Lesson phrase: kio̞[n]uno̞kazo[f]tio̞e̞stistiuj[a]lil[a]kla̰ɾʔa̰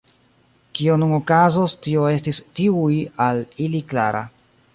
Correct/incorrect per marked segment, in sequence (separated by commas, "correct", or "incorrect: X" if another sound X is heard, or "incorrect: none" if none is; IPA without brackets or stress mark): correct, incorrect: s, correct, incorrect: i